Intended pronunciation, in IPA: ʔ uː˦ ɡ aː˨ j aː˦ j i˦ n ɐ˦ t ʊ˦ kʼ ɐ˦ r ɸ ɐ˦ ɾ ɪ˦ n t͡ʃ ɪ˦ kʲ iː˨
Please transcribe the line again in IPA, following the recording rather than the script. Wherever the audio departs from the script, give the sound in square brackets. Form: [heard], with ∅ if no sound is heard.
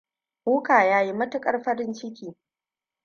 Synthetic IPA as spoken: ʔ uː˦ [k] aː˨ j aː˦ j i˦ [m] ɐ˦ t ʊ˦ kʼ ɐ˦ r ɸ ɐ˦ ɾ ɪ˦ n t͡ʃ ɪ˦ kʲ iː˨

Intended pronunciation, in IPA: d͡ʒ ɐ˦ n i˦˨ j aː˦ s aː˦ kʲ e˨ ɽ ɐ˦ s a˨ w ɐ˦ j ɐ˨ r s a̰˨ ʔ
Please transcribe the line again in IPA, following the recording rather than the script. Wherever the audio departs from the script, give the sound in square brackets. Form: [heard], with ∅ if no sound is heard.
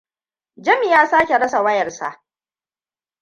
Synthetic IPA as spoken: d͡ʒ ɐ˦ [m] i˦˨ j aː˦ s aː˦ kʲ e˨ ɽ ɐ˦ s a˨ w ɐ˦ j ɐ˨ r s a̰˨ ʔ

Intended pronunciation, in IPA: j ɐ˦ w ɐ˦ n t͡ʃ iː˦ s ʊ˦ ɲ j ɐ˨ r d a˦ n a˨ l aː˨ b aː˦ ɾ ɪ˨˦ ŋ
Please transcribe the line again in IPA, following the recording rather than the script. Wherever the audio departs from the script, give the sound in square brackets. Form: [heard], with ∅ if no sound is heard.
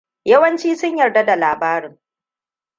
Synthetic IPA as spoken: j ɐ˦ w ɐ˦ n t͡ʃ iː˦ s ʊ˦ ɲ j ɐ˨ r d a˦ [d] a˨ l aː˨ b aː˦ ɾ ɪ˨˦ ŋ

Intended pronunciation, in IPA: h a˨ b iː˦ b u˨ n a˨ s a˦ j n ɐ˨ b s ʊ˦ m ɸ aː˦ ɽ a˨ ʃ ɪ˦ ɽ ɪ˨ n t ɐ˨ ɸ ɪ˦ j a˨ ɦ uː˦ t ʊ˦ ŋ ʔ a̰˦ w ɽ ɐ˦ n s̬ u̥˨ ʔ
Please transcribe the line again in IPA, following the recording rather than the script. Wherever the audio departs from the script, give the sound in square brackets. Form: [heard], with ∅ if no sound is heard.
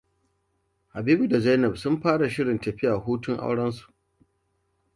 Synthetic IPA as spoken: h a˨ b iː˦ b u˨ [d] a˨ [z] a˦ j n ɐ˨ b s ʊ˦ m ɸ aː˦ ɽ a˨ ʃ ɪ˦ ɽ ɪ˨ n t ɐ˨ ɸ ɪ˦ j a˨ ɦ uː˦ t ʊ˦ ŋ ʔ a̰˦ w ɽ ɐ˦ n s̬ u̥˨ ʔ

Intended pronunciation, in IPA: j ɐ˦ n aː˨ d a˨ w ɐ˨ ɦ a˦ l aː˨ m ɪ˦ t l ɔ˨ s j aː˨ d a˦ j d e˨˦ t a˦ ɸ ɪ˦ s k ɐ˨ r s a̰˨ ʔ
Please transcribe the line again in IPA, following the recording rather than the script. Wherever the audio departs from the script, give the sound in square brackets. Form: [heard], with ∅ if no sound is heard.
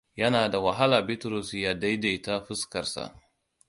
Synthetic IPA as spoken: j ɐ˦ n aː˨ d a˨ w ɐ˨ ɦ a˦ l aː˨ [b] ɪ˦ t [ɾ] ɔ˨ s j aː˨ d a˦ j d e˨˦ t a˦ ɸ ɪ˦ s k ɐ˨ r s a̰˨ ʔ

